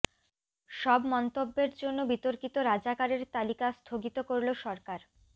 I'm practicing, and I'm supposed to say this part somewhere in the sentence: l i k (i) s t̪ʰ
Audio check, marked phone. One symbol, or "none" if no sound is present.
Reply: a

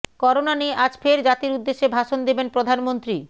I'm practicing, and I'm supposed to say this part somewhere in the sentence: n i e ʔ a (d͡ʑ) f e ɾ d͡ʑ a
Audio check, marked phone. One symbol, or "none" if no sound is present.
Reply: d͡ʑ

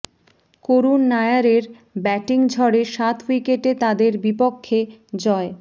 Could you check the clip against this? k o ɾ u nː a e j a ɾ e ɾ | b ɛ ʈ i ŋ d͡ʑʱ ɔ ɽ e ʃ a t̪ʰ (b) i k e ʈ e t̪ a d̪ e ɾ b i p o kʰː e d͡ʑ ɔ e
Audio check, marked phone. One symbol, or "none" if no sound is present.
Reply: w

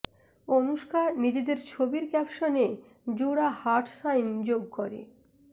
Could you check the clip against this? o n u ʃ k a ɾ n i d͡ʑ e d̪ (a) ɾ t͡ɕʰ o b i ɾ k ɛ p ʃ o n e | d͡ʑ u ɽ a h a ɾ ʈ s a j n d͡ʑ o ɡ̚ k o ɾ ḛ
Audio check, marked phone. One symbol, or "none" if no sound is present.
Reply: e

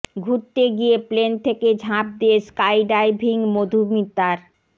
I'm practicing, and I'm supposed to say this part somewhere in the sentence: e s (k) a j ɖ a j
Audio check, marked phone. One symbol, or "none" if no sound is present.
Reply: k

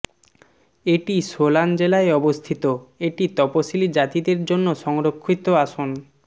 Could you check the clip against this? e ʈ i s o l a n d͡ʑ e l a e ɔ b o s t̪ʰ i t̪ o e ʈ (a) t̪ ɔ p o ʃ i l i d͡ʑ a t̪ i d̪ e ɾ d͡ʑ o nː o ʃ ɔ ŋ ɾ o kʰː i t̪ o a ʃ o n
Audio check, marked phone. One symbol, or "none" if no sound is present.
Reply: i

